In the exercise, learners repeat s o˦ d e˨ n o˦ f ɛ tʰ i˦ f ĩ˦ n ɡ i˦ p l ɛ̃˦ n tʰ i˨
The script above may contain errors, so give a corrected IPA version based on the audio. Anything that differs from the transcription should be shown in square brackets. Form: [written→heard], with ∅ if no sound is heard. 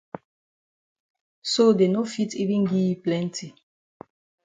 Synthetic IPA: s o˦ d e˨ n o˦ f [ɛ→i] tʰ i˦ [f→v] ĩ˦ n ɡ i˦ p l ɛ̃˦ n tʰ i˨